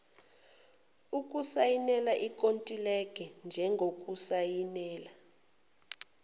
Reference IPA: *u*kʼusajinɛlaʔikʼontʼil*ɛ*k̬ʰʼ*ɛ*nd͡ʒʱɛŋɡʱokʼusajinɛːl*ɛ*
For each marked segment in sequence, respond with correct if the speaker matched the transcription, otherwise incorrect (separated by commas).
correct, correct, correct, incorrect